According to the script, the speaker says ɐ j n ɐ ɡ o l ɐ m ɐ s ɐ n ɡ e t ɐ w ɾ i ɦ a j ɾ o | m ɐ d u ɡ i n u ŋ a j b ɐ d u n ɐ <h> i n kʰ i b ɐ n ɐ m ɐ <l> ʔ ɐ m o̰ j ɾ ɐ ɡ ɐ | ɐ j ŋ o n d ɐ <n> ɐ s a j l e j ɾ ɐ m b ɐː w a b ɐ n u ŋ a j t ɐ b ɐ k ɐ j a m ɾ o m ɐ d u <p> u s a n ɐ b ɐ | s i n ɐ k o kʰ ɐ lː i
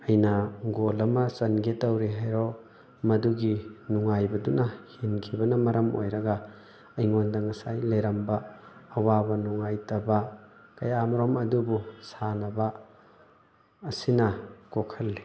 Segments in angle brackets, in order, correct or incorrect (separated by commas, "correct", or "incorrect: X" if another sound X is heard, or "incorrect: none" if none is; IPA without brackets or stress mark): correct, incorrect: ɾ, incorrect: ŋ, incorrect: b